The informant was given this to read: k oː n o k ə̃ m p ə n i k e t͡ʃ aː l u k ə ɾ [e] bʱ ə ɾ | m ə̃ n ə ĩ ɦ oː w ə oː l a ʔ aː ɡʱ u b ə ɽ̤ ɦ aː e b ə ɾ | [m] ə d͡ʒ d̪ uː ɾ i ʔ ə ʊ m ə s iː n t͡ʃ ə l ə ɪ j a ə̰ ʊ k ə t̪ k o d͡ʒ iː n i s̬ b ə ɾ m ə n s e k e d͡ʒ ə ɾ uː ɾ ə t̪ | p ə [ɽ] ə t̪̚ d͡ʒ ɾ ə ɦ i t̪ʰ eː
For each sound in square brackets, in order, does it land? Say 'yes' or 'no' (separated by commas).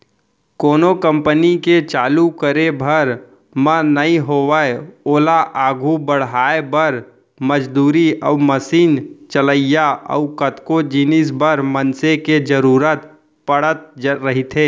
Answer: yes, yes, yes